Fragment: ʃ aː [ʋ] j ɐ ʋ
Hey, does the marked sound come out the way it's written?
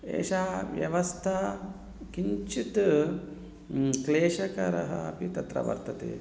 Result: yes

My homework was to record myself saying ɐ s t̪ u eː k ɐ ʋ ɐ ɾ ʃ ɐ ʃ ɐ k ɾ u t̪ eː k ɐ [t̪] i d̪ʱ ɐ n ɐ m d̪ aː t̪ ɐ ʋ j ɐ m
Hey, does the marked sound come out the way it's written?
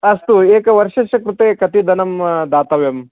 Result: yes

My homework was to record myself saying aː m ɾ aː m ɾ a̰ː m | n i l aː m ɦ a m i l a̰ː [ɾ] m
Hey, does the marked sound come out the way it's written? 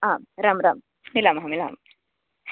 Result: no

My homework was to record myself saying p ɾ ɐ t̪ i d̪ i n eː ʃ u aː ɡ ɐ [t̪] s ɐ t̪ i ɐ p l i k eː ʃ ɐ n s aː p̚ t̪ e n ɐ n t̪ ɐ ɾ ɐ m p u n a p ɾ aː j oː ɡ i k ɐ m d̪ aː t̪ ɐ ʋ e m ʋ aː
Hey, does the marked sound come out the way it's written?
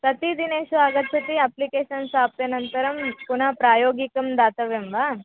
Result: yes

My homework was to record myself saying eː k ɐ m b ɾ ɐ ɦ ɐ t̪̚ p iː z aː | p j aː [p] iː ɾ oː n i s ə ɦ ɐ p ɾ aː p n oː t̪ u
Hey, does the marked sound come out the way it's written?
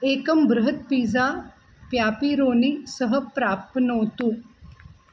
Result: yes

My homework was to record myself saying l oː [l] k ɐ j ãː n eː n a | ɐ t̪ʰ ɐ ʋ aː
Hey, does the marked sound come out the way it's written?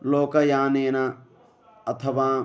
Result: no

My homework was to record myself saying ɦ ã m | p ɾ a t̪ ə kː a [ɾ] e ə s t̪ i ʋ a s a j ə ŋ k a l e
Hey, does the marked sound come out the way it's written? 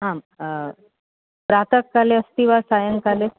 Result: no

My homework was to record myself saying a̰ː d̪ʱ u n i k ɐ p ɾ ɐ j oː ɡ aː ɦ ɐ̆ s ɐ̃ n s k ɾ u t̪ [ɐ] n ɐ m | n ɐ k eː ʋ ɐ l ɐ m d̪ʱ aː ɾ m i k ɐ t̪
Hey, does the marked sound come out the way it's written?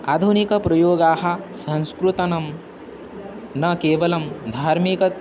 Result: yes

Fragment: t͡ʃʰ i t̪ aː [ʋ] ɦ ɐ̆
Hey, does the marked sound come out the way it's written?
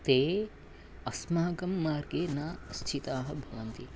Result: no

